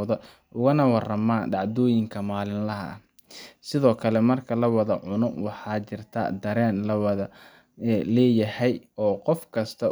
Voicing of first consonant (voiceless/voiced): voiced